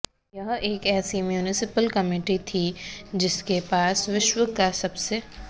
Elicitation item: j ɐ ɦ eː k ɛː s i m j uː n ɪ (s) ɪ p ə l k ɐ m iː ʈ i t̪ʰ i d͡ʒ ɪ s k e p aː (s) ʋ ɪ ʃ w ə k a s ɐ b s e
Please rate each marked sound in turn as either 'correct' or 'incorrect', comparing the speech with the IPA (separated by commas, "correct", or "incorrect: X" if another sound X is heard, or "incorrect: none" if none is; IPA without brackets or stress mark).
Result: correct, correct